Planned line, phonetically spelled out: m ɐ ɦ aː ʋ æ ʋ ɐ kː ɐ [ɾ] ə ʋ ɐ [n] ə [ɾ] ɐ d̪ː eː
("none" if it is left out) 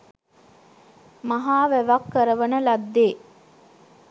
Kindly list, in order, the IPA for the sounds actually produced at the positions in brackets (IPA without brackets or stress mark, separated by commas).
ɾ, n, l